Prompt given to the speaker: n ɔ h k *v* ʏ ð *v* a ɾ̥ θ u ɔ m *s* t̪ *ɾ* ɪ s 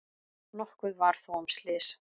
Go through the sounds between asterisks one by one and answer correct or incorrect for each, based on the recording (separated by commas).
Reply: correct, correct, correct, incorrect